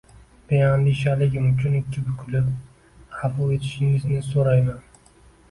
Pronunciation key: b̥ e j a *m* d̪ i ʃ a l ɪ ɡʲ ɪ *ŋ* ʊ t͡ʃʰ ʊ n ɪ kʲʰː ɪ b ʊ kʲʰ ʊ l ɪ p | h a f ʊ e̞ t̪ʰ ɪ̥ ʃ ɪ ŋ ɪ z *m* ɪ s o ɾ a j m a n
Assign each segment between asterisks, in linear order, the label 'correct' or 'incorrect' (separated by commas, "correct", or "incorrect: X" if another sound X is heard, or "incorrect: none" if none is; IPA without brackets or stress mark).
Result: incorrect: n, incorrect: m, incorrect: n